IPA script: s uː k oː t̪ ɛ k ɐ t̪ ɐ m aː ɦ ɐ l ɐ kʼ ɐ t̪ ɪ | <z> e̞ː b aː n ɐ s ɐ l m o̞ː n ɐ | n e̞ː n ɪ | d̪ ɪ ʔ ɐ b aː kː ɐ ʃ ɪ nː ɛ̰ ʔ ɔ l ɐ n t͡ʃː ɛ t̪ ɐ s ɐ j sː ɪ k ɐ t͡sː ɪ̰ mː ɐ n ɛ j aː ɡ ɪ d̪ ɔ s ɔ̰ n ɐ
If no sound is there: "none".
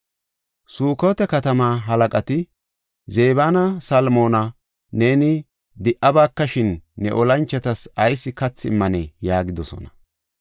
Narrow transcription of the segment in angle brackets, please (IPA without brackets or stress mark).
z